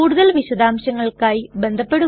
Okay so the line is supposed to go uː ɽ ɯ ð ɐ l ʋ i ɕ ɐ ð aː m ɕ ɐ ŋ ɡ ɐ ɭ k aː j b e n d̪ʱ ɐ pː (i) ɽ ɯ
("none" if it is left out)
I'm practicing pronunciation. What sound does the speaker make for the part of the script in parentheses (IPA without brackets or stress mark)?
e